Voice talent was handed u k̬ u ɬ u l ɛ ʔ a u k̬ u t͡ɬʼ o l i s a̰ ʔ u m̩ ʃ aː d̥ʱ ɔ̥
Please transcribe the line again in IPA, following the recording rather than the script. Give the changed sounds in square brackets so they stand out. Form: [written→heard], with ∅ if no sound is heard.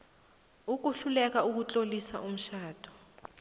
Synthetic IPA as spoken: u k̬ u ɬ u l ɛ [ʔ→k] a u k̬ u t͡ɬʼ o l i s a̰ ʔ u m̩ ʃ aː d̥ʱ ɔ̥